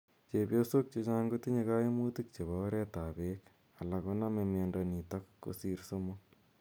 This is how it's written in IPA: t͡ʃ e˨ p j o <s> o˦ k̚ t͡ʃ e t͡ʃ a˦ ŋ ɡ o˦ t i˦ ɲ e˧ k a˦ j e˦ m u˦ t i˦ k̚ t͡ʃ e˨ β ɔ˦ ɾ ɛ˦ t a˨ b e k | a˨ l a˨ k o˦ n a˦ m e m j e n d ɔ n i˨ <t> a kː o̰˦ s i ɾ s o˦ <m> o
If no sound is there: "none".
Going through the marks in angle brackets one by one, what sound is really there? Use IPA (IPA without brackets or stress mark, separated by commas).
s, t, m